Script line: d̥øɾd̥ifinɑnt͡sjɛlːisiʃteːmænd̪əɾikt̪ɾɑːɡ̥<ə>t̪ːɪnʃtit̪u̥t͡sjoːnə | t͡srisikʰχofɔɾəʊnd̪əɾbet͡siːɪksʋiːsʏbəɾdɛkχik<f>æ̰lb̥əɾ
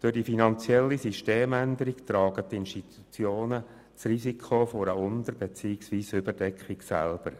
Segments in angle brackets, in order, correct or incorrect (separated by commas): correct, incorrect